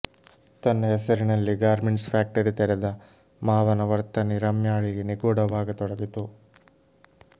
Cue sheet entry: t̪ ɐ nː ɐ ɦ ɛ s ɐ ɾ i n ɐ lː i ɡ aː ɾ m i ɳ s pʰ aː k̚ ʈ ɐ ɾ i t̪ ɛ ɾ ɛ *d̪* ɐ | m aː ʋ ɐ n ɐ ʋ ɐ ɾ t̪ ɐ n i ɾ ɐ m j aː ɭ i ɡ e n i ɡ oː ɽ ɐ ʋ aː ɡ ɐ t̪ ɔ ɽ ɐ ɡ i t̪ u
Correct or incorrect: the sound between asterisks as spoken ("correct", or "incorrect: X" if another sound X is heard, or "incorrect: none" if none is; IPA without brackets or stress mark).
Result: correct